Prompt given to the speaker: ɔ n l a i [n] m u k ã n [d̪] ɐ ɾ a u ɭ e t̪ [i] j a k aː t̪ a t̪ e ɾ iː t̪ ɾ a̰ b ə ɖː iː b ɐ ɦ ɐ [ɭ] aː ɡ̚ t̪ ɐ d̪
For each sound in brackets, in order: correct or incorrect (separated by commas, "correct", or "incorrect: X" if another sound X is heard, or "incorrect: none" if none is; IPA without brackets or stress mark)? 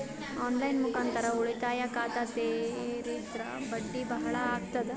correct, incorrect: t̪, incorrect: a, correct